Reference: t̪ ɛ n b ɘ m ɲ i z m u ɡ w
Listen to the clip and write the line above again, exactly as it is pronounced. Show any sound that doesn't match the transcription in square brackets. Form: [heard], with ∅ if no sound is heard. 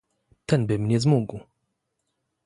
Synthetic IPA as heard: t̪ ɛ n b ɘ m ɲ [ɛ] z m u ɡ w